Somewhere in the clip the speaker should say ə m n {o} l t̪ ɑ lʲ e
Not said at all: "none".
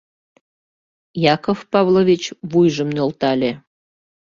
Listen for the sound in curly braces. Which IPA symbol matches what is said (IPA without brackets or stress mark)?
o